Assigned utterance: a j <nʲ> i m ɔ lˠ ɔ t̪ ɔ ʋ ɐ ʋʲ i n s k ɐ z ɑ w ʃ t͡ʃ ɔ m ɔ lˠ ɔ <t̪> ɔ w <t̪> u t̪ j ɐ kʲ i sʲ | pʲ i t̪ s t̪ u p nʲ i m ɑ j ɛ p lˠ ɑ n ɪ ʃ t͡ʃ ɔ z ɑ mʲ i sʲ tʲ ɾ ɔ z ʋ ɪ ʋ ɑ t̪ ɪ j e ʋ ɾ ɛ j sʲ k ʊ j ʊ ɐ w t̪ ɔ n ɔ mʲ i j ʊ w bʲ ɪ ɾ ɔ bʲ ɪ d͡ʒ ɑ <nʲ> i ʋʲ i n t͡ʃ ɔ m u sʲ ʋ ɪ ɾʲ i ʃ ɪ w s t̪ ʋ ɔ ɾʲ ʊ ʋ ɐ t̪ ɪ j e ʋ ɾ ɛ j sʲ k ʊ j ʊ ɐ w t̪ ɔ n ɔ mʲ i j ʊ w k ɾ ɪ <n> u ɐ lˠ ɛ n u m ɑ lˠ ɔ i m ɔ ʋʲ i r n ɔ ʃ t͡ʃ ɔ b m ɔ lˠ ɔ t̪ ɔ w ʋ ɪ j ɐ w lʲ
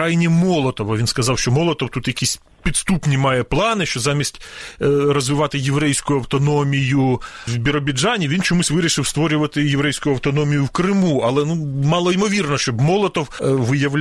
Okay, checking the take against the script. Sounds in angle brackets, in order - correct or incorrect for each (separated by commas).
correct, correct, correct, correct, incorrect